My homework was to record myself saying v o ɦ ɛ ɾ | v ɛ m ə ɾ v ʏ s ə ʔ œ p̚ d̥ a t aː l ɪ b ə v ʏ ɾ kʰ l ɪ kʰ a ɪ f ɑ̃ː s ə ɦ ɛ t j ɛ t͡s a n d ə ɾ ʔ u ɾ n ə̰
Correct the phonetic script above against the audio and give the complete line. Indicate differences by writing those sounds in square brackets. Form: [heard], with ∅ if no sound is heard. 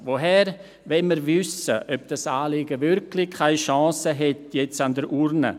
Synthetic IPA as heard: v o ɦ ɛ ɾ | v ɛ m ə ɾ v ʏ s ə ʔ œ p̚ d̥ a [s] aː l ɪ [ɡ] ə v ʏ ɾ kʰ l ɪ kʰ a ɪ [ʃ] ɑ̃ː s ə ɦ ɛ t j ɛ t͡s a n d ə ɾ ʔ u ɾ n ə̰

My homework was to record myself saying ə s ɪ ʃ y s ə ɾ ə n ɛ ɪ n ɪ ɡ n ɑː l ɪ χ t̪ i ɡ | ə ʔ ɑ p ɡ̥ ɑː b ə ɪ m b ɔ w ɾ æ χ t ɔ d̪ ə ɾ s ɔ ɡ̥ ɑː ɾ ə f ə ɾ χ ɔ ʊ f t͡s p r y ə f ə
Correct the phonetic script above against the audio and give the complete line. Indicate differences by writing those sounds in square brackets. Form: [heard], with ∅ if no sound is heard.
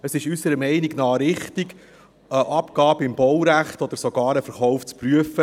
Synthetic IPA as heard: ə s ɪ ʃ y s ə ɾ ə [m] ɛ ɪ n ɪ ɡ n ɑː [ɾ] ɪ χ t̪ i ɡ | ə ʔ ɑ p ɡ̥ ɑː b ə ɪ m b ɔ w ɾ æ χ t ɔ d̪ ə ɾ s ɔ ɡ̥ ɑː ɾ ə f ə ɾ χ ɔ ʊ f t͡s p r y ə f ə

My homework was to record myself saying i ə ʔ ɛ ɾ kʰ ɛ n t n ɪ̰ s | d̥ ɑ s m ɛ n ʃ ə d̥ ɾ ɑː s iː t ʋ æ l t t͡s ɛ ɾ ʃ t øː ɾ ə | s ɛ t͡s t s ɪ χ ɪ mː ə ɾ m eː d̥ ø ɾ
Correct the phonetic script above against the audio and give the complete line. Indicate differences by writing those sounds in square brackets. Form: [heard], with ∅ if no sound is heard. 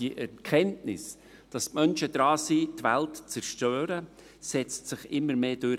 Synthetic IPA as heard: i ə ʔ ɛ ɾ kʰ ɛ n t n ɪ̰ s | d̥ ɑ s m [œ] n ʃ ə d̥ ɾ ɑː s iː t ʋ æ l t t͡s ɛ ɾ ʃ t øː ɾ ə | s ɛ t͡s t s ɪ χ ɪ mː ə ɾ m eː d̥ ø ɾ

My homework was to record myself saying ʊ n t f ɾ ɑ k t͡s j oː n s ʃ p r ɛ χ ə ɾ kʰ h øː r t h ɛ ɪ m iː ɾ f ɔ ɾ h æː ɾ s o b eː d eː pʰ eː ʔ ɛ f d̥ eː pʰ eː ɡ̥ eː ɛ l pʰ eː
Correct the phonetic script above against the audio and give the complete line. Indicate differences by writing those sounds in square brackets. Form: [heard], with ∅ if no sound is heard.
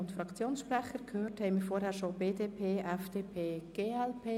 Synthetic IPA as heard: ʊ n t f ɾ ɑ k t͡s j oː n s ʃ p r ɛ χ ə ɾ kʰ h øː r t h ɛ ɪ m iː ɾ f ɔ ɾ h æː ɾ [ʃ] o b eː d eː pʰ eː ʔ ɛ f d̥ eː pʰ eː ɡ̥ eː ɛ l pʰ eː

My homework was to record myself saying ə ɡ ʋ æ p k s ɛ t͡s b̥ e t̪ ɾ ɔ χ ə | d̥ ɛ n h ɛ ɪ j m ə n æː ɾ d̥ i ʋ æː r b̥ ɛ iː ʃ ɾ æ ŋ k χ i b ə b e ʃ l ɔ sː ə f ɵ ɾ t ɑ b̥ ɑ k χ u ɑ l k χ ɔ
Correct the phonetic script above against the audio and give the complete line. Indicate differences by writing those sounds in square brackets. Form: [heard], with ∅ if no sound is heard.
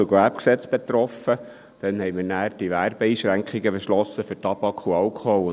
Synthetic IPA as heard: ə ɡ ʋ æ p k s ɛ t͡s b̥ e t̪ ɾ ɔ [f] ə | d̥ ɛ n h ɛ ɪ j m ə n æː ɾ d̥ i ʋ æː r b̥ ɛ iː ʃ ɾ æ ŋ k χ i [ɡ] ə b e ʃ l ɔ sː ə f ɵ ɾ t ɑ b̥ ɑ k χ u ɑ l k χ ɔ

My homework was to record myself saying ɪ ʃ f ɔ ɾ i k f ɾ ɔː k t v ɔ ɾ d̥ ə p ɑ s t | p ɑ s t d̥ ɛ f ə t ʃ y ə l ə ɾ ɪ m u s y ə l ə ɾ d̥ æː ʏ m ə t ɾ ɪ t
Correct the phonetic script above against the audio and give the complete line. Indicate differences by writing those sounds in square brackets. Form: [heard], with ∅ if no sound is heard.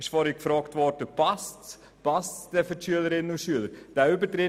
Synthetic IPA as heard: ɪ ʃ f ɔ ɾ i k f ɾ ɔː k t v ɔ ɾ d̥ ə p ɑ s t | p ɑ s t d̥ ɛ f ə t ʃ y ə l ə ɾ ɪ [n] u [ʃ] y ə l ə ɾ d̥ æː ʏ [b] ə t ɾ ɪ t

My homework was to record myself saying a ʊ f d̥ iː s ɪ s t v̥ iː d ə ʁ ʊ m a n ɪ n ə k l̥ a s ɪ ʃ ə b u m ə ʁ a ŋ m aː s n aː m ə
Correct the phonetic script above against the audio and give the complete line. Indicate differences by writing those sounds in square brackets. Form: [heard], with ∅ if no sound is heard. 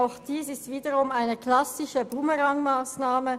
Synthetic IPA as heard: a ʊ [x] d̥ iː s ɪ s t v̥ iː d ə ʁ ʊ m a [∅] ɪ n ə k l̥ a s ɪ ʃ ə b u m ə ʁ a ŋ m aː s n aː m ə

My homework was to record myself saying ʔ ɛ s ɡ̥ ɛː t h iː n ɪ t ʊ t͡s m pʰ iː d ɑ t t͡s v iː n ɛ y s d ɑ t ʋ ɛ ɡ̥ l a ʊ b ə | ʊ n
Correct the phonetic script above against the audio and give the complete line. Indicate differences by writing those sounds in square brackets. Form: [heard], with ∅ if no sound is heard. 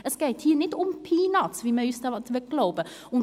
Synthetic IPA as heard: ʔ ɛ s ɡ̥ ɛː t h iː n ɪ t ʊ [∅] m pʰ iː [n] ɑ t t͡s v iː [m] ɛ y s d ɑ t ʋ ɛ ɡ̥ l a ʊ b ə | ʊ n

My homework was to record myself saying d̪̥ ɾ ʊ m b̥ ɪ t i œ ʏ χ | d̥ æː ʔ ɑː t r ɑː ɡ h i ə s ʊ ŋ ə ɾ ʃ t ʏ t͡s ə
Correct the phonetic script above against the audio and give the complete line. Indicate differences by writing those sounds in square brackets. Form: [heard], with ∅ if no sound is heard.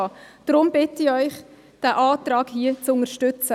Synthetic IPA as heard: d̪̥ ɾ ʊ m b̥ ɪ t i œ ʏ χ | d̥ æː ʔ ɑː t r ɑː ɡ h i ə [t͡s] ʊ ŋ ə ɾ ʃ t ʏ t͡s ə

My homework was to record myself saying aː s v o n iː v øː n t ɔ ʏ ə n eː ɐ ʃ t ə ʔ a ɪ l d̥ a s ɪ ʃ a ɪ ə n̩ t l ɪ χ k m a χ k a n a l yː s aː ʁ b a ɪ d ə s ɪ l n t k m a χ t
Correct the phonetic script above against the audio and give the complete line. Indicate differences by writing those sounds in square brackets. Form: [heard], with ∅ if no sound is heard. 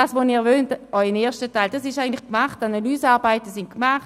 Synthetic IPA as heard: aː s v o n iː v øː n t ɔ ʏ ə n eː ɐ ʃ t ə [t] a ɪ l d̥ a s ɪ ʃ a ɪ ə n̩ t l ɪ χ k m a χ [t] a n a l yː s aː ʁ b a ɪ [t] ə s ɪ [∅] n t k m a χ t

